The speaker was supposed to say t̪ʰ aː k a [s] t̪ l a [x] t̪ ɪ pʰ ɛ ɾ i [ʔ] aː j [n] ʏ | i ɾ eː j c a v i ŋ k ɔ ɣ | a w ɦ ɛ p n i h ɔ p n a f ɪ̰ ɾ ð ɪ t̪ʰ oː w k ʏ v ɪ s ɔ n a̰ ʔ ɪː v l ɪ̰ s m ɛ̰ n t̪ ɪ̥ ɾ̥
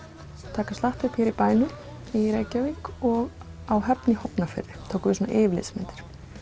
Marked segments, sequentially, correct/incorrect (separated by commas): correct, incorrect, incorrect, correct